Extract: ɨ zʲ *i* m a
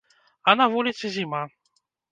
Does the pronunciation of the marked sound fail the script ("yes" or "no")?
no